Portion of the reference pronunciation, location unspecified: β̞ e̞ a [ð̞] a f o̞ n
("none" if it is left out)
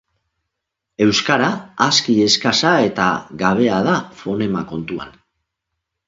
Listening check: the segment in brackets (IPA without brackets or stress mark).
ð̞